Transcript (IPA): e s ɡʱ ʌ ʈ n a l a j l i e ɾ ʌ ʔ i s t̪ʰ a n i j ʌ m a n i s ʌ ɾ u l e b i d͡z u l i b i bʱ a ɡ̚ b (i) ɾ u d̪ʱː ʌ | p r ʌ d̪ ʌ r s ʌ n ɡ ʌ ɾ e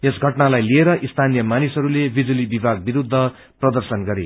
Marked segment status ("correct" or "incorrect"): correct